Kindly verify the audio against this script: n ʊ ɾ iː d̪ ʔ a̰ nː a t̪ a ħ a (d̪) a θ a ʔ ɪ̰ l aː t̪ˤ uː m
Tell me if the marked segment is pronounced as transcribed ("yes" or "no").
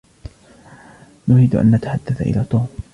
no